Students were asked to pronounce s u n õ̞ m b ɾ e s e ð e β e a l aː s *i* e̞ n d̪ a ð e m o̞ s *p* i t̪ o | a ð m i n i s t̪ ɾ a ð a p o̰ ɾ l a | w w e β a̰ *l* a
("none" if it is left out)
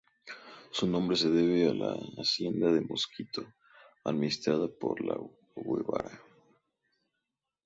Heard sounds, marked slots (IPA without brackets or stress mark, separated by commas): j, k, ɾ